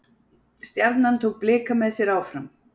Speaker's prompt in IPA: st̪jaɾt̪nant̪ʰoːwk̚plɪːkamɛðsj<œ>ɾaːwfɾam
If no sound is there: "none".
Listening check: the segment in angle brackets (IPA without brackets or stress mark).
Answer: ɛ